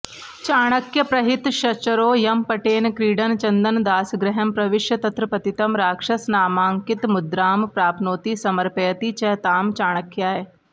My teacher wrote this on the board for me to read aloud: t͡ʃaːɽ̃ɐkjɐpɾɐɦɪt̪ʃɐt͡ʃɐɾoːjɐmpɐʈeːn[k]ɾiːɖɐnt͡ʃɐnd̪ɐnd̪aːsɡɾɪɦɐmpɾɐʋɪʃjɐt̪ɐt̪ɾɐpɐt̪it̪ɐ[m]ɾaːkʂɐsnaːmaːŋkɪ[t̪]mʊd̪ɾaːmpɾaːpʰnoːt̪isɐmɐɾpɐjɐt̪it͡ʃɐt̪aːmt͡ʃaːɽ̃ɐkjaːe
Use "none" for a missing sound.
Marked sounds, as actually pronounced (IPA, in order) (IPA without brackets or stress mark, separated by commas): k, m, t̪